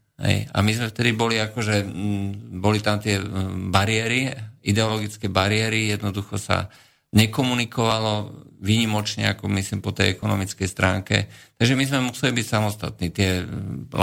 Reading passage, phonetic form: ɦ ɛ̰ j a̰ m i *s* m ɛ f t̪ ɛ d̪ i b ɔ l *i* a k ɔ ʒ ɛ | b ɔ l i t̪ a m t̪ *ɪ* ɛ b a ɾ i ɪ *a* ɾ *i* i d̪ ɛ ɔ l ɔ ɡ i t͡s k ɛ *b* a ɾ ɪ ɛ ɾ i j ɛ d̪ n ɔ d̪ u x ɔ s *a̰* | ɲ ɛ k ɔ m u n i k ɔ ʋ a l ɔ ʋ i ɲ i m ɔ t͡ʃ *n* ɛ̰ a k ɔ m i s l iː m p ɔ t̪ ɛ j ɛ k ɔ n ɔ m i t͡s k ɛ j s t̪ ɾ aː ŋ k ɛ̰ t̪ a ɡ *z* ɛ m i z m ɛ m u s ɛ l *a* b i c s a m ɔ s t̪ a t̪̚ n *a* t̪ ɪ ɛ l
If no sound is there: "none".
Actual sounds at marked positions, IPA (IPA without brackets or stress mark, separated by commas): z, i, ɪ, ɛ, i, b, a̰, ɲ, ʒ, i, i